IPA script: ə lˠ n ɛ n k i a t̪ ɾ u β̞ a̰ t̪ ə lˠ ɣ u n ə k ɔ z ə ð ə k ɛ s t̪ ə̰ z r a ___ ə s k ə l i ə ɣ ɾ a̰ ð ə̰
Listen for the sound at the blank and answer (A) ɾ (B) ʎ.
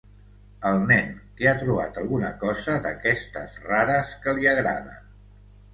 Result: A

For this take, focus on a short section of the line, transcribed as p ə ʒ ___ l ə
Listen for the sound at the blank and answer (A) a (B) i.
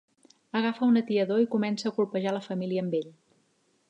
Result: A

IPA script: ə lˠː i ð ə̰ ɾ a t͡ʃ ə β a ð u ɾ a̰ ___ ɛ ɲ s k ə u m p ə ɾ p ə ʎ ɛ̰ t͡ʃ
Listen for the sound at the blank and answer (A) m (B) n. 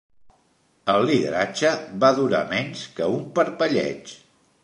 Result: A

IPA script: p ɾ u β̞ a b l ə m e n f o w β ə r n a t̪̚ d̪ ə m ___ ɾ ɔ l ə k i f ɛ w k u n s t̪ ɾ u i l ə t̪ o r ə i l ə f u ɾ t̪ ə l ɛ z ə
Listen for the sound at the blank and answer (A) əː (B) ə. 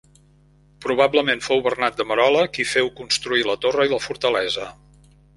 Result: B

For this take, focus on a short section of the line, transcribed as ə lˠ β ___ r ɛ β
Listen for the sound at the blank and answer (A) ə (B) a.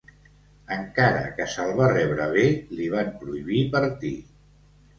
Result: B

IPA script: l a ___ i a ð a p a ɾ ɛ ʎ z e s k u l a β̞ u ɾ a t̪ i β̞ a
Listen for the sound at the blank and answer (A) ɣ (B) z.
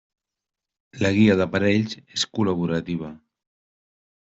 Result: A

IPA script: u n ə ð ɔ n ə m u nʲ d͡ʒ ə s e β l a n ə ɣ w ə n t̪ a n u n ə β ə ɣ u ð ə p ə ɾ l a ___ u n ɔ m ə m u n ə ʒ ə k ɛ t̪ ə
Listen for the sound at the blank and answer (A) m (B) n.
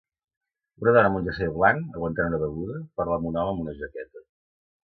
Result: A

